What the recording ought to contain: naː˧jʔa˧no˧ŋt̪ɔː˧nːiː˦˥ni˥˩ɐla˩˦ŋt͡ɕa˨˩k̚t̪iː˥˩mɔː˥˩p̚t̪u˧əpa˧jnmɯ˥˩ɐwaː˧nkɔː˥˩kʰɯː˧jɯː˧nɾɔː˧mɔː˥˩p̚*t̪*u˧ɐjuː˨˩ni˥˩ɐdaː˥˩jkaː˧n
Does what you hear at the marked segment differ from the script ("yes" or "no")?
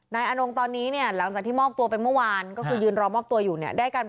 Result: no